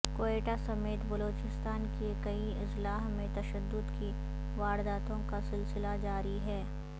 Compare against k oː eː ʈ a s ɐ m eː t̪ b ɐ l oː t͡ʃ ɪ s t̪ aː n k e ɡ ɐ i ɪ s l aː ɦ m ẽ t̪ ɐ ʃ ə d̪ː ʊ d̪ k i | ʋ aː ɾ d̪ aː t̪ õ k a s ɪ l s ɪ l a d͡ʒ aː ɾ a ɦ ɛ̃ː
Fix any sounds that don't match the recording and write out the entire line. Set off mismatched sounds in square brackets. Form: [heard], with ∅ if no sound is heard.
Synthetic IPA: k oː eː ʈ a s ɐ m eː t̪ b ɐ l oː t͡ʃ ɪ s t̪ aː n k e [k] ɐ i ɪ s l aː ɦ m ẽ t̪ ɐ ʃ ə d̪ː ʊ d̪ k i | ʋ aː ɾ d̪ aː t̪ õ k a s ɪ l s ɪ l a d͡ʒ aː ɾ [i] ɦ [ɛː]